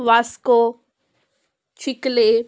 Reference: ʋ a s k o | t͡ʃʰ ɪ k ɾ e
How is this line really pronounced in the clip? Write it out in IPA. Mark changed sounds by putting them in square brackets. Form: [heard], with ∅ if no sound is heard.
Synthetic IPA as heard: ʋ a s k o | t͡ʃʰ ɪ k [l] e